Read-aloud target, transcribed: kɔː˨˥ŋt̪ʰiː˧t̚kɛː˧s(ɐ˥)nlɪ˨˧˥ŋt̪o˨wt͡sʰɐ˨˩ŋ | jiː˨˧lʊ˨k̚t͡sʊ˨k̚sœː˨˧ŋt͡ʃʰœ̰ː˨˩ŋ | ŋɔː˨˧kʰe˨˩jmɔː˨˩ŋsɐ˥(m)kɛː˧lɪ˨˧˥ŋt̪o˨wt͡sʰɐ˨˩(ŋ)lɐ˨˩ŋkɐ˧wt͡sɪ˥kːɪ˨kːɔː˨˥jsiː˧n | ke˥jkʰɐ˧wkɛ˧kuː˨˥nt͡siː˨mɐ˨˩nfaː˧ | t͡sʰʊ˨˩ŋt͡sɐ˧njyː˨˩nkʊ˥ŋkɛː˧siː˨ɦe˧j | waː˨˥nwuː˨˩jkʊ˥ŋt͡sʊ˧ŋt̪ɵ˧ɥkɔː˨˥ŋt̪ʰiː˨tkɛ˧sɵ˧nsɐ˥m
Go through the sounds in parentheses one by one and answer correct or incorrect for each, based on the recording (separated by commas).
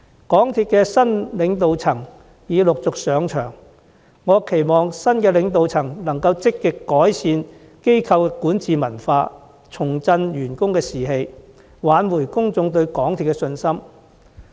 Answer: correct, incorrect, correct